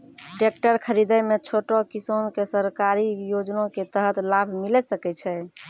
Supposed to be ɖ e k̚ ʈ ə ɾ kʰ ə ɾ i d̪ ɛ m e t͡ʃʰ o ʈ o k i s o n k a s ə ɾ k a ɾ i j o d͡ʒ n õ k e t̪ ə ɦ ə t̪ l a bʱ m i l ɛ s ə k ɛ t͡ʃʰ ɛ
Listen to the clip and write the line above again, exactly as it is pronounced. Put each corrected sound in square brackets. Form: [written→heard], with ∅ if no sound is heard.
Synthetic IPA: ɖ e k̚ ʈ ə ɾ kʰ ə ɾ i d̪ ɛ m e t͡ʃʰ o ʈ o k i s o n k [a→e] s ə ɾ k a ɾ i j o d͡ʒ n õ k e t̪ ə ɦ ə t̪ l a bʱ m i l ɛ s ə k ɛ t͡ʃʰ ɛ